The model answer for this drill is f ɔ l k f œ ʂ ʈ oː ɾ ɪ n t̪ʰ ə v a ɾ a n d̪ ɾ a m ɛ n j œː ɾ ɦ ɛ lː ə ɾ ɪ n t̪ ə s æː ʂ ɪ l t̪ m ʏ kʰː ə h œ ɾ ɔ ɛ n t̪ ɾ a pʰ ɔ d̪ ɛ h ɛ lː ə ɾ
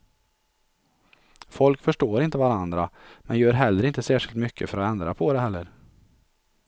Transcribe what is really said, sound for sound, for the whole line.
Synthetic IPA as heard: f ɔ l k f œ ʂ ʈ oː ɾ ɪ n t̪ ə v a ɾ a n d̪ ɾ a m ɛ n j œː ɾ ɦ ɛ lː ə ɾ ɪ n t̪ ə s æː ʂ ɪ l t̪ m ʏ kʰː ə f œ ɾ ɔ ɛ n d̪ ɾ a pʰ ɔ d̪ ɛ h ɛ lː ə ɾ